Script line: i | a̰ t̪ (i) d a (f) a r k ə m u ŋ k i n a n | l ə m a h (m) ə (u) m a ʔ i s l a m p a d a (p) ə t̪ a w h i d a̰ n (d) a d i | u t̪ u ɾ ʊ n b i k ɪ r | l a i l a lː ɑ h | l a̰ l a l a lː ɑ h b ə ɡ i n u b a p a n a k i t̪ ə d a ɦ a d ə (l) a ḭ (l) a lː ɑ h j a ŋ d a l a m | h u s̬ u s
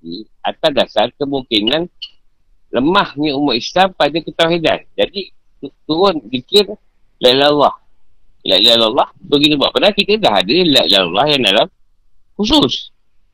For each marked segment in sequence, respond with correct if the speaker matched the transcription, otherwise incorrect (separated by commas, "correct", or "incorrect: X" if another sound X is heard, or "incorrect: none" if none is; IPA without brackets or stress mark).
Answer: incorrect: a, incorrect: s, incorrect: ɲ, correct, incorrect: k, incorrect: d͡ʒ, correct, correct